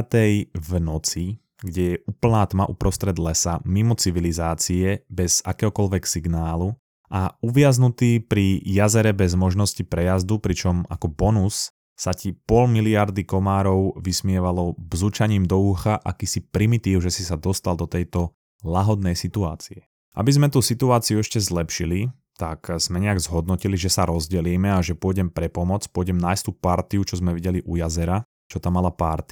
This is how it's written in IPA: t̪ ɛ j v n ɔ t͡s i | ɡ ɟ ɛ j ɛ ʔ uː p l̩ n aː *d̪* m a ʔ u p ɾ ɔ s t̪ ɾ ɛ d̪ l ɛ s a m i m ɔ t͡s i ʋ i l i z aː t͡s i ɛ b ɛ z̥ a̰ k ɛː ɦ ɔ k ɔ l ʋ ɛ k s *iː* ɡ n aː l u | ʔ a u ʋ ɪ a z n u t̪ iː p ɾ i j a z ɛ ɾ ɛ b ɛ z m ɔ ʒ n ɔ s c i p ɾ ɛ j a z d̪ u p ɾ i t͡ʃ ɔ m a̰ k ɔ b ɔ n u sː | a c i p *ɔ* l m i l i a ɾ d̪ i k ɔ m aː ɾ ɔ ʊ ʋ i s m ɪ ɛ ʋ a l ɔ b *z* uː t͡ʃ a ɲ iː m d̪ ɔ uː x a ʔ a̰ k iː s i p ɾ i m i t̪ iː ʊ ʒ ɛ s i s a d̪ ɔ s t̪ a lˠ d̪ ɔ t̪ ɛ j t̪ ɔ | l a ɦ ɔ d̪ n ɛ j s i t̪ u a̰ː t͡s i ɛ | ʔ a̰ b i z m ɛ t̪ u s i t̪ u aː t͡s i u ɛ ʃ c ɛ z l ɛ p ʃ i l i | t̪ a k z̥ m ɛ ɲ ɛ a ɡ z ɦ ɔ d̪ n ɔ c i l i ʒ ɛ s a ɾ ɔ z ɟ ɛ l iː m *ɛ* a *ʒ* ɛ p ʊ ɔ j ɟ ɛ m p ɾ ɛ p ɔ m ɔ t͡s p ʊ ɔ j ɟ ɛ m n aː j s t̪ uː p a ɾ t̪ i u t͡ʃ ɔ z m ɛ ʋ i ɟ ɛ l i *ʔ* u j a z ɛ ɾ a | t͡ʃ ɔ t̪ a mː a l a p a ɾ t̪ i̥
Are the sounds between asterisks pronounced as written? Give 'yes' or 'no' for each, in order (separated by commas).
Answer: no, no, yes, yes, yes, yes, yes